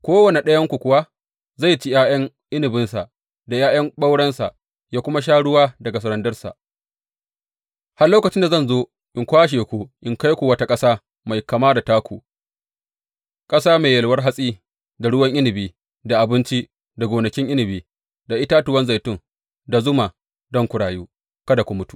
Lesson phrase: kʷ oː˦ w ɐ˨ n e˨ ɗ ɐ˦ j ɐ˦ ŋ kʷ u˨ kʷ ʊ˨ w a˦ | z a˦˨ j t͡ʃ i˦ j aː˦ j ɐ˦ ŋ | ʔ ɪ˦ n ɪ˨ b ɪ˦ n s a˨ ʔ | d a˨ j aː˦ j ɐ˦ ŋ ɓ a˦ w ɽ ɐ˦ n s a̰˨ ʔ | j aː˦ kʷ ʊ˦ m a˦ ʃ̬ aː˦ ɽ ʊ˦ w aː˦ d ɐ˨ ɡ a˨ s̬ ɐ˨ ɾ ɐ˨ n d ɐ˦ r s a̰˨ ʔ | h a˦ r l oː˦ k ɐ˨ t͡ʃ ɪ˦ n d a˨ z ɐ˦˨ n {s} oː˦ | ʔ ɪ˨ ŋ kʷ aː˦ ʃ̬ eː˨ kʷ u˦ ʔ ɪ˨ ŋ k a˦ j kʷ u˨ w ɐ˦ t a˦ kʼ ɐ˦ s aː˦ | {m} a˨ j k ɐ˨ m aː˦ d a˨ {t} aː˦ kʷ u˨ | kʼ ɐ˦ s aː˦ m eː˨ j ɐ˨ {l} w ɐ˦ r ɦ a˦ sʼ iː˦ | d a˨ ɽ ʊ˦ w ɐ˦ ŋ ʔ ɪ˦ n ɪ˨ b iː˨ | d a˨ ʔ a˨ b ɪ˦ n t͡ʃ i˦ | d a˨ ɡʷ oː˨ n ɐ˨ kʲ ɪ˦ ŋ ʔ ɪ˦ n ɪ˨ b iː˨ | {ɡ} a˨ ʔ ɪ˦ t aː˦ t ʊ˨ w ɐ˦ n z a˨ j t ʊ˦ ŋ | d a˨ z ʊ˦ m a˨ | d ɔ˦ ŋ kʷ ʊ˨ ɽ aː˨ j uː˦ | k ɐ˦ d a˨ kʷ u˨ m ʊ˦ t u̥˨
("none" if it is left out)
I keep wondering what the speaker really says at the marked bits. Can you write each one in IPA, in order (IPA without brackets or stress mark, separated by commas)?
z, m, t, l, d